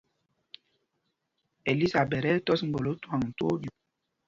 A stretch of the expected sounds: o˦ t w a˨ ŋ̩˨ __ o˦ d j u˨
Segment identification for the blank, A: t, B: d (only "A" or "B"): A